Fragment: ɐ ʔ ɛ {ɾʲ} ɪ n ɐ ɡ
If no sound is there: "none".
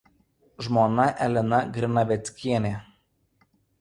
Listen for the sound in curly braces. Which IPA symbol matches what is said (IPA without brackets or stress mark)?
lʲ